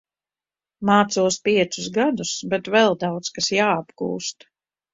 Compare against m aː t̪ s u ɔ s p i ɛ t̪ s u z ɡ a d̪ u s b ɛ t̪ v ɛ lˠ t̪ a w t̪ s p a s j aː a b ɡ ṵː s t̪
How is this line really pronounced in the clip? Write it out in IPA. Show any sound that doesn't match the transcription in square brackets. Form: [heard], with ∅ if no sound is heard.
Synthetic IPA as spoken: m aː t̪ s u ɔ s p i ɛ t̪ s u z ɡ a d̪ u s b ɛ t̪ v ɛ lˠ [d̪] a w t̪ s [k] a s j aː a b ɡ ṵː s t̪